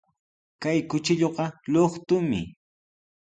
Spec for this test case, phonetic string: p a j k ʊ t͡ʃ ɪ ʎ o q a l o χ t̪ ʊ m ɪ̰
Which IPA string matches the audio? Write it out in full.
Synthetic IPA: k a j k ʊ t͡ʃ ɪ ʎ o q ɑ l o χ t̪ ʊ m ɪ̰